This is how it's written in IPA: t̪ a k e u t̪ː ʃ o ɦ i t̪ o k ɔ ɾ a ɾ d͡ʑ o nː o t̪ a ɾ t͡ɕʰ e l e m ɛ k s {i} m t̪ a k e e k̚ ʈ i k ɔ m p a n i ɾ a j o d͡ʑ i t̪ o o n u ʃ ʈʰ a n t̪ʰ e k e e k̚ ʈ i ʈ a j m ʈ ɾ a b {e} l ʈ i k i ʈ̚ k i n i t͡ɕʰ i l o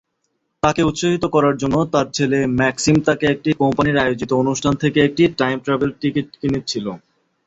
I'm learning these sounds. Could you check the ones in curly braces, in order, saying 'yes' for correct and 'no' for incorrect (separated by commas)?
yes, yes